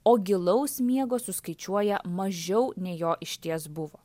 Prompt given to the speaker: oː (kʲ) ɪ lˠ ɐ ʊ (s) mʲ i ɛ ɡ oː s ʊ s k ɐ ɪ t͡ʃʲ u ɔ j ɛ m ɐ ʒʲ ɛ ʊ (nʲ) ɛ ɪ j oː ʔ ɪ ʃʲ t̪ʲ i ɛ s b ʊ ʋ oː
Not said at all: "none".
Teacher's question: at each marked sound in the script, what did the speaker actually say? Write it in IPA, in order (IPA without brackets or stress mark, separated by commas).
ɡʲ, s, nʲ